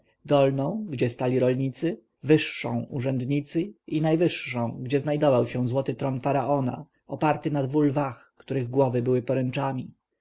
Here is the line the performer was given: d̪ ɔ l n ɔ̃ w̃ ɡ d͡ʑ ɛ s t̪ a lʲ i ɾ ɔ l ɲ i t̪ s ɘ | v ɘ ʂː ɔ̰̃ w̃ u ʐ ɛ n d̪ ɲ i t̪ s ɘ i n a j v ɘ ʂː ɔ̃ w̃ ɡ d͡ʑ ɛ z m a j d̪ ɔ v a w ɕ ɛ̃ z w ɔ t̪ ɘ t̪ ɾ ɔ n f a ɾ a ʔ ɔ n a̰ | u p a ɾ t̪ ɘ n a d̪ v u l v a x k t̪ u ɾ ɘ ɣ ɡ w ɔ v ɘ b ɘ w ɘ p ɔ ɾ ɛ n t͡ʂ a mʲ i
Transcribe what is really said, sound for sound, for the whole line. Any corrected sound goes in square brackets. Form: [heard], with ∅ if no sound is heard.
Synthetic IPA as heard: d̪ ɔ l n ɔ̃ w̃ ɡ d͡ʑ ɛ s t̪ a lʲ i ɾ ɔ l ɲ i t̪ s ɘ | v ɘ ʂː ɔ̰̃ w̃ u ʐ ɛ n d̪ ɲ i t̪ s ɘ i n a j v ɘ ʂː ɔ̃ w̃ ɡ d͡ʑ ɛ z [n] a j d̪ ɔ v a w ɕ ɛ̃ z w ɔ t̪ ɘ t̪ ɾ ɔ n f a ɾ a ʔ ɔ n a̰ | [ɔ] p a ɾ t̪ ɘ n a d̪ v u l v a x k t̪ u ɾ ɘ ɣ ɡ w ɔ v ɘ b ɘ w ɘ p ɔ ɾ ɛ n t͡ʂ a mʲ i